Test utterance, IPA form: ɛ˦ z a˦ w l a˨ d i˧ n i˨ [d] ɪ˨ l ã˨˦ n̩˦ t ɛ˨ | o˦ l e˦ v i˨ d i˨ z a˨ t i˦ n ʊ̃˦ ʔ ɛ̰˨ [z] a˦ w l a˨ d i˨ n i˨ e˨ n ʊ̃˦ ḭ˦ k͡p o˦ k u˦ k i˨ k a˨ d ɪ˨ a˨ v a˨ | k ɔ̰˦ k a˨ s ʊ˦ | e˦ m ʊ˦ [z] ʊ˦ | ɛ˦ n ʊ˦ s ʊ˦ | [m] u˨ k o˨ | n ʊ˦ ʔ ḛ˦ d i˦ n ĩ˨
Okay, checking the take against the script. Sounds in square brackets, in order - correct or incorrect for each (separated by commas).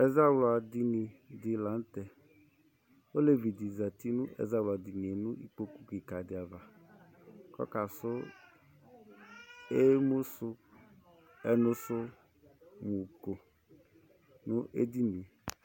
correct, correct, incorrect, correct